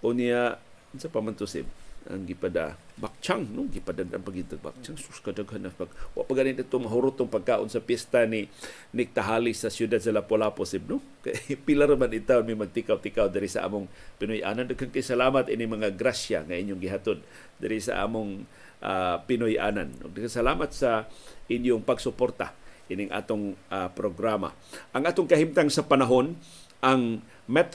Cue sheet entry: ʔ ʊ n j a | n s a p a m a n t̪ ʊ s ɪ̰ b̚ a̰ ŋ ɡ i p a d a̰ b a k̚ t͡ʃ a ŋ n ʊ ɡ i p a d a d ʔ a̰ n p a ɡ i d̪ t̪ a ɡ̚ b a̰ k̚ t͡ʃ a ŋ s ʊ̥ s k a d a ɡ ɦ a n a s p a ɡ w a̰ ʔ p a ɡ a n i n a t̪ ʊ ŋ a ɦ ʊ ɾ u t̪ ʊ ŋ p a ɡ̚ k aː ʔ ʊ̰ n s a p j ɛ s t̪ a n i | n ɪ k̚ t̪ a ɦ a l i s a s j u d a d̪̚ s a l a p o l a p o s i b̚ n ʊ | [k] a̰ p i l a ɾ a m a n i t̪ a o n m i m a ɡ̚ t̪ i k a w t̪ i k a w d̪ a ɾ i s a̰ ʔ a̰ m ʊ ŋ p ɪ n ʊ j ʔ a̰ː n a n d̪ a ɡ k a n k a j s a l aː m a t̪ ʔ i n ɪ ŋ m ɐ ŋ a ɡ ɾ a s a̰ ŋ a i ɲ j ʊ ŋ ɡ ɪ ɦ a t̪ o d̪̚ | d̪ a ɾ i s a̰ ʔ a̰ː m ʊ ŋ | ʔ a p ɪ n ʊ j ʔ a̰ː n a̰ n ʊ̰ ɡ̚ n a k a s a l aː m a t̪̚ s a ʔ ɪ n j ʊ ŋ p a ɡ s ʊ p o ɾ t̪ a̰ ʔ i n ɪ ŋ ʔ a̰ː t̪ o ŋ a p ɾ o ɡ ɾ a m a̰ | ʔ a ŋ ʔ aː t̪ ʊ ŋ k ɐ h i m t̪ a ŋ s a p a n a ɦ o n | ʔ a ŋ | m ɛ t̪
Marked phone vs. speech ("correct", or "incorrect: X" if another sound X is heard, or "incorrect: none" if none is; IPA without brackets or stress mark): correct